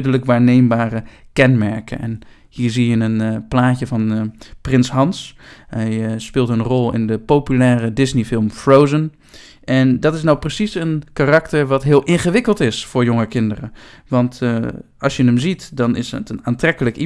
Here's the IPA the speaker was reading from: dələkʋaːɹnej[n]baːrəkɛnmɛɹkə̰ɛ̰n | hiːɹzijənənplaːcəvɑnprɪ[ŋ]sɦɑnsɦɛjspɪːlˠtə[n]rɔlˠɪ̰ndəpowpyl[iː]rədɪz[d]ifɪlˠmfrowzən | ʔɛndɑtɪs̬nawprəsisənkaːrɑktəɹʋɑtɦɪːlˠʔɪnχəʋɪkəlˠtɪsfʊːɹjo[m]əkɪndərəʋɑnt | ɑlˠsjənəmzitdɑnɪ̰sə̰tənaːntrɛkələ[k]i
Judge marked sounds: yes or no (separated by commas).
no, no, yes, no, no, no, yes